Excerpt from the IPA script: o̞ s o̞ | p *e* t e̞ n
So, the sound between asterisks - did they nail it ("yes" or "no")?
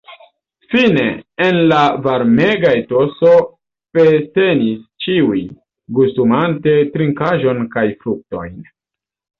yes